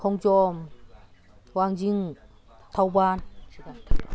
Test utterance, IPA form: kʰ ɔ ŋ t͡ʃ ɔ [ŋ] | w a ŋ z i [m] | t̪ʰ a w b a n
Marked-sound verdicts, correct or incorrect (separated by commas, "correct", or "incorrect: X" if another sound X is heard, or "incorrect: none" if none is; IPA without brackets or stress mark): incorrect: m, incorrect: ŋ